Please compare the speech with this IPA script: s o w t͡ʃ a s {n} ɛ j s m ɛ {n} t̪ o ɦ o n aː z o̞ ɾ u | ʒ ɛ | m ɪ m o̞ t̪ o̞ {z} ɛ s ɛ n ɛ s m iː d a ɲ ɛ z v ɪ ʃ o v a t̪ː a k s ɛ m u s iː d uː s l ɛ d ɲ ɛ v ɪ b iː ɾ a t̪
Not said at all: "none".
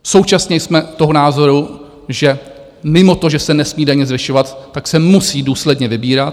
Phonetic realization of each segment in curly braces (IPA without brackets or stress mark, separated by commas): ɲ, none, ʒ